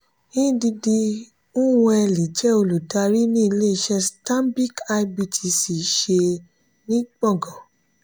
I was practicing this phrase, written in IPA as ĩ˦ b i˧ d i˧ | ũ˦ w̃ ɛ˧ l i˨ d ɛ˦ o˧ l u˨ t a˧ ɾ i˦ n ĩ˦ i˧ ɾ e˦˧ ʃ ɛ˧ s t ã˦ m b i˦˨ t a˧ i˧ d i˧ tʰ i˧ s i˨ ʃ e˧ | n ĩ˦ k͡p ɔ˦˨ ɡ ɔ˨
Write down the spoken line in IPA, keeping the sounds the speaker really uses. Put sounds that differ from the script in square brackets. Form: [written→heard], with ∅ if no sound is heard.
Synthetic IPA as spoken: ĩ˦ [b→d] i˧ d i˧ | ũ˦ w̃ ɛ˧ l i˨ [d→d͡ʒ] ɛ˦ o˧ l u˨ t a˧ ɾ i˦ n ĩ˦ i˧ [ɾ→l] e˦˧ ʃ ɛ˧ s t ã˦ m b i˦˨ [t→k] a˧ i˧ [d→b] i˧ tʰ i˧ s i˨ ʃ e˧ | n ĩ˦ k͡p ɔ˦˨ ɡ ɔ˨